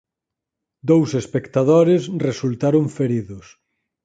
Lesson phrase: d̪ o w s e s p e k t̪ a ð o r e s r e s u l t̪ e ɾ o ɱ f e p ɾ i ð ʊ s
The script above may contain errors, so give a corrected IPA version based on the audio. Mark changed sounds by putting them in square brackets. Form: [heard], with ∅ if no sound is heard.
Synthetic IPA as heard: d̪ o w s e s p e k t̪ a ð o [ɾ] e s r e s u l t̪ [a] ɾ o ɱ f e [∅] ɾ i ð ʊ s